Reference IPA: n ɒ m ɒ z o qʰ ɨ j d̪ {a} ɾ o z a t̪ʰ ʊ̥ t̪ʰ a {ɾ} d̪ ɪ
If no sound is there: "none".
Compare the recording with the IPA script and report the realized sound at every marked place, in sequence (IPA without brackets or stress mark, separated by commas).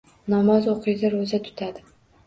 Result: a, none